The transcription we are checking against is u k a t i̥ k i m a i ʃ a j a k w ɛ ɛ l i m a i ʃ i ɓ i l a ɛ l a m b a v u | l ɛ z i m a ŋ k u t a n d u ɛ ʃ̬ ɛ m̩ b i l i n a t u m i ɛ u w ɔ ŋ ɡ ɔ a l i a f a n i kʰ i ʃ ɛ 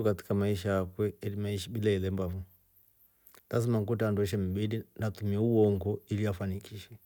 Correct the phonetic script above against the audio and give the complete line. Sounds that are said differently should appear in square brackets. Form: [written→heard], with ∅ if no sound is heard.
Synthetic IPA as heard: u k a t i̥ k [i→a] m a i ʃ a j a k w ɛ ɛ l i m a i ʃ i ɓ i l a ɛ l [a→ɛ] m b a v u | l [ɛ→a] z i m a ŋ k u t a n d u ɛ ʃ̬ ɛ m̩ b i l i n a t u m i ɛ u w ɔ ŋ ɡ ɔ [a→i] l i a f a n i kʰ i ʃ ɛ